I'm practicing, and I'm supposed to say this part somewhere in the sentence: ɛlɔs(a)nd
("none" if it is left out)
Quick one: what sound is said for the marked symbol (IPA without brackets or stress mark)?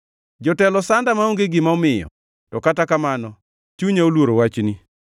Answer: a